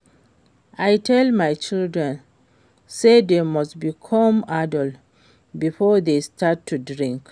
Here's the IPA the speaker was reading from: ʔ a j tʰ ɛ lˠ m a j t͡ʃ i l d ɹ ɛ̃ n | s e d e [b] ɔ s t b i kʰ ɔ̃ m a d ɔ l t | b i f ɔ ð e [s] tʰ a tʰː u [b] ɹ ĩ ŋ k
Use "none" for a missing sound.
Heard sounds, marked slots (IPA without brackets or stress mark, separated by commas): m, s, d